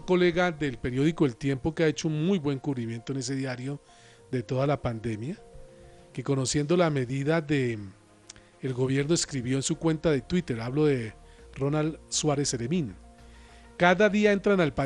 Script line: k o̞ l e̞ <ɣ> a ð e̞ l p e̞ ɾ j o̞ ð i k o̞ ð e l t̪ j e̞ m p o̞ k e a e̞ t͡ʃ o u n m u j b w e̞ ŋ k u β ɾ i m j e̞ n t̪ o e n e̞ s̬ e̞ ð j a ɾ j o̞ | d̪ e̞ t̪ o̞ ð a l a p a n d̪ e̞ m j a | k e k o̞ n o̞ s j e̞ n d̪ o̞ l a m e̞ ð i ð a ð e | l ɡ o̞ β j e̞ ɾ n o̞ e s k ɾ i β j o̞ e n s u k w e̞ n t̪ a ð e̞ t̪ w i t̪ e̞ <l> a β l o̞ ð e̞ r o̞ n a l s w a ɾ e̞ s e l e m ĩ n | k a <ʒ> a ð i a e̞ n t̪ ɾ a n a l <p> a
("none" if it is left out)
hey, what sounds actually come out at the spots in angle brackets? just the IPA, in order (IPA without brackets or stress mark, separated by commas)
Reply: ɣ, ɾ, ð, p